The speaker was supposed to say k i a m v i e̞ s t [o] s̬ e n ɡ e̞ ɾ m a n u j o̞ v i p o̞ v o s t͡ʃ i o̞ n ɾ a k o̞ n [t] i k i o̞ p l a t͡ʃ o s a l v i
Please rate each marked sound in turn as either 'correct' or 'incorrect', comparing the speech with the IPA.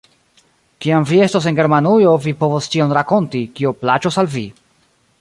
correct, correct

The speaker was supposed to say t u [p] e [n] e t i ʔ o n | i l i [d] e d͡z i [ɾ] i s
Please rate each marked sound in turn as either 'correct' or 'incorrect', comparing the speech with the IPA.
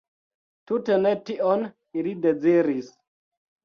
incorrect, correct, correct, correct

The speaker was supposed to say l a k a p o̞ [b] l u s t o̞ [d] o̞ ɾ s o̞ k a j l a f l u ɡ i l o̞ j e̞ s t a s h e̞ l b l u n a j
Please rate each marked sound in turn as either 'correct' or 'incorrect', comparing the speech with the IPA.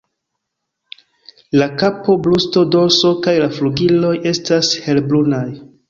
correct, correct

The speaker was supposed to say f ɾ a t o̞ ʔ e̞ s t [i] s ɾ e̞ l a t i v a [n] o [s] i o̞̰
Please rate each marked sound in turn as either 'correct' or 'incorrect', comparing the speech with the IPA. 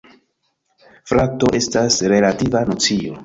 incorrect, correct, incorrect

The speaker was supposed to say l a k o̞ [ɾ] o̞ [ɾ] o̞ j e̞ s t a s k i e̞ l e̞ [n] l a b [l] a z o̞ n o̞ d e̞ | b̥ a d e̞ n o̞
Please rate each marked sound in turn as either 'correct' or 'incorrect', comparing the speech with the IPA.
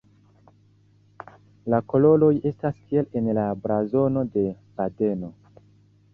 incorrect, incorrect, correct, incorrect

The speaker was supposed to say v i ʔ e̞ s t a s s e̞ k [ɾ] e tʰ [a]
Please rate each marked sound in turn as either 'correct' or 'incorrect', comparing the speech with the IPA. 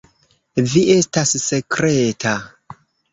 correct, correct

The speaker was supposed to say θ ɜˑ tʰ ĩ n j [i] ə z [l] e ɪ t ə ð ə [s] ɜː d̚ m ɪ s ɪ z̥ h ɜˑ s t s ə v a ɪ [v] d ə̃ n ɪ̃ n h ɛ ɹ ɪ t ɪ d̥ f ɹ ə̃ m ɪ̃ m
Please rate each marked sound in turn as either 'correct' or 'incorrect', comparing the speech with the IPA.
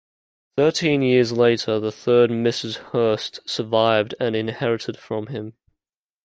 incorrect, correct, incorrect, correct

